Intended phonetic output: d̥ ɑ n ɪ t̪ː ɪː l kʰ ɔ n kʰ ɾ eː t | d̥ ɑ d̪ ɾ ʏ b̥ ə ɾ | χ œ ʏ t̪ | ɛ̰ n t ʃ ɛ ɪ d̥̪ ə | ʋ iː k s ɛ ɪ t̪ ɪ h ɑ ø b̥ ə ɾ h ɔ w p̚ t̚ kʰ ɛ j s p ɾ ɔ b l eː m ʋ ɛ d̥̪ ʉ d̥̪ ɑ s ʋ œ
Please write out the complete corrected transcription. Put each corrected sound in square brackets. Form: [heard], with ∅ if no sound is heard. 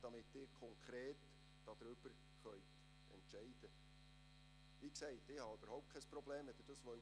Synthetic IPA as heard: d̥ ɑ [m] ɪ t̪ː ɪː [ɾ] kʰ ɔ [ŋ] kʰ ɾ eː t | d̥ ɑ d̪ ɾ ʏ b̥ ə ɾ | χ œ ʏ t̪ | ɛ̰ n t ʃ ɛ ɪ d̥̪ ə | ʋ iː k s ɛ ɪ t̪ ɪ h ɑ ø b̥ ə ɾ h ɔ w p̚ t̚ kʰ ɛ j s p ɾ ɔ b l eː m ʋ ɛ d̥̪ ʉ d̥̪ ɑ s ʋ œ